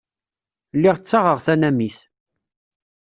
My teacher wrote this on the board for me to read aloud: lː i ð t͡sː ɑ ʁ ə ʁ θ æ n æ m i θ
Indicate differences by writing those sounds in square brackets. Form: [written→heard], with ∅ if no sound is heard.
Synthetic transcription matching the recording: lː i [ð→ʁ] t͡sː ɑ ʁ ə ʁ θ æ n æ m i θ